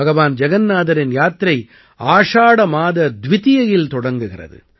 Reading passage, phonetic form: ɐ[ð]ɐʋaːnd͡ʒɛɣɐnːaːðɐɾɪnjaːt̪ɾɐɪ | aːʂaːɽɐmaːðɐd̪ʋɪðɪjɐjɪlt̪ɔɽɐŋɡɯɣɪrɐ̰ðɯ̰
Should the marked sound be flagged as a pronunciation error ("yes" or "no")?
yes